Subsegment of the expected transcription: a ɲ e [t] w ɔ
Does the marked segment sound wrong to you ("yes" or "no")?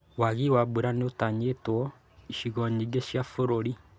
no